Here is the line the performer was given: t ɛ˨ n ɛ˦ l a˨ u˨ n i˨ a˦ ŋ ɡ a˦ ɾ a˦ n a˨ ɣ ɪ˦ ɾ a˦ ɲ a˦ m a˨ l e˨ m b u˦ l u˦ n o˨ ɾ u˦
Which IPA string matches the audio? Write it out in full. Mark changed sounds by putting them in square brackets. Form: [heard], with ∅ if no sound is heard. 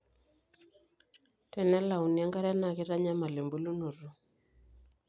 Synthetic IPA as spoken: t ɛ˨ n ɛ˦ l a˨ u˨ n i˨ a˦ ŋ ɡ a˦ ɾ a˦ n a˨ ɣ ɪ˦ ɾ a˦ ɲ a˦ m a˨ l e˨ m b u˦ l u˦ n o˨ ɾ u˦